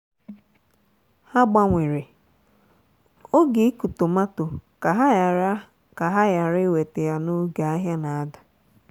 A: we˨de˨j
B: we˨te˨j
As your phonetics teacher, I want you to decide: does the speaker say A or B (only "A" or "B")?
B